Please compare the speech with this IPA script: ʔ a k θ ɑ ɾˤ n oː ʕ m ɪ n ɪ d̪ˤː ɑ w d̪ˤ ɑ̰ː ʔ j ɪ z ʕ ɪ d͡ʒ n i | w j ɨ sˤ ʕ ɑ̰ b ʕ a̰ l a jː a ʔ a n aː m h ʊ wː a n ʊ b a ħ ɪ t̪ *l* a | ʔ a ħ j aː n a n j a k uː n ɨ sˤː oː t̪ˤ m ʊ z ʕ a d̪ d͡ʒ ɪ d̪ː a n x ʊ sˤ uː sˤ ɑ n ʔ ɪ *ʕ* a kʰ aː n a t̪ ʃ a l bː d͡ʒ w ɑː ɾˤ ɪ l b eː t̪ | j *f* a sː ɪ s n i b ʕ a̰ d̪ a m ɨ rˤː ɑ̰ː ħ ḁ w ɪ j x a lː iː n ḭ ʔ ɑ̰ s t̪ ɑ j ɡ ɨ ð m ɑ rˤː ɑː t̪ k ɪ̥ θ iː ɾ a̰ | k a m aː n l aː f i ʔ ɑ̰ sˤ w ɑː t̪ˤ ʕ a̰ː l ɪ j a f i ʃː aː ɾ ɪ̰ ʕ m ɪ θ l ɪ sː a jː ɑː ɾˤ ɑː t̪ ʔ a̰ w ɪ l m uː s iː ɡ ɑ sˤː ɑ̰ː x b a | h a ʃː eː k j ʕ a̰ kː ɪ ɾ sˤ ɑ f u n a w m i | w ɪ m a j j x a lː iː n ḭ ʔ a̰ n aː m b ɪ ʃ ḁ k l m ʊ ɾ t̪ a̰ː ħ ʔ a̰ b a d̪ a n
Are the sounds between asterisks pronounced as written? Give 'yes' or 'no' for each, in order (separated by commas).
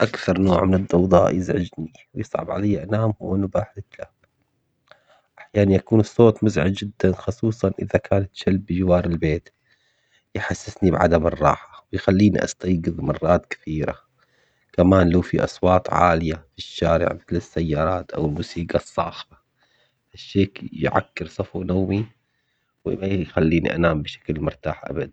yes, no, no